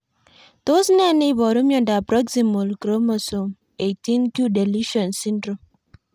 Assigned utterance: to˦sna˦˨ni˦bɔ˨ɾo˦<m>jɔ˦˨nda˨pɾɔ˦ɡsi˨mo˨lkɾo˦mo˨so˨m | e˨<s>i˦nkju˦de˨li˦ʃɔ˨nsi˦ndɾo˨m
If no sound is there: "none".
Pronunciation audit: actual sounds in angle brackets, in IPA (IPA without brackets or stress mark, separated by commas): m, t